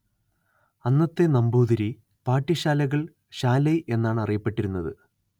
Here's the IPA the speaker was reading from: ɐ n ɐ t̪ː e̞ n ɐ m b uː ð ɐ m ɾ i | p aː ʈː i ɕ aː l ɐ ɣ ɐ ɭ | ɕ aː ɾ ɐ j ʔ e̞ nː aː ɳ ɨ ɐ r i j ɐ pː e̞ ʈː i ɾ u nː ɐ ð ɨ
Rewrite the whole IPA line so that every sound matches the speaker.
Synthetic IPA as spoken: ɐ nː ɐ t̪ː e̞ n ɐ m b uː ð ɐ ɾ i | p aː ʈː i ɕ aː l ɐ ɣ ɐ ɭ | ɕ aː l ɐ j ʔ e̞ nː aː ɳ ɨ ɐ r i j ɐ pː e̞ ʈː i ɾ u nː ɐ ð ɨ